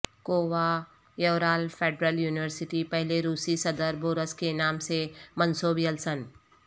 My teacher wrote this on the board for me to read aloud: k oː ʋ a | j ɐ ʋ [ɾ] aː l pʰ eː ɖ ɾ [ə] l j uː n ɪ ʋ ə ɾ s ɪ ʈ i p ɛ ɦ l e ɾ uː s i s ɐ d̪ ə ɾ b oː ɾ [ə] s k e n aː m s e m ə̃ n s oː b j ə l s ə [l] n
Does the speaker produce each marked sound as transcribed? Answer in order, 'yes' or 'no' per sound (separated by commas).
yes, yes, yes, no